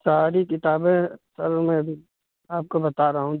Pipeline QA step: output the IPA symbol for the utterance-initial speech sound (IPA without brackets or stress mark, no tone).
s